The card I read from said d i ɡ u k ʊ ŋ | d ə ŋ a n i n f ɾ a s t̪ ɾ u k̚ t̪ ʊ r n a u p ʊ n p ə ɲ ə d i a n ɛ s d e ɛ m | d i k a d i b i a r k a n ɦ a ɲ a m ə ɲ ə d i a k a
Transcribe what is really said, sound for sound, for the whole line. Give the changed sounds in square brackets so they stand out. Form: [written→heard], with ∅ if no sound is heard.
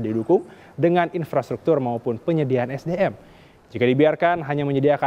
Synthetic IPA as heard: d i [ɡ→d] u k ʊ ŋ | d ə ŋ a n i n f ɾ a s t̪ ɾ u k̚ t̪ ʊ r [n→m] a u p ʊ n p ə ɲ ə d i a n ɛ s d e ɛ m | [d→d͡ʒ] i k a d i b i a r k a n ɦ a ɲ a m ə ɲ ə d i a k a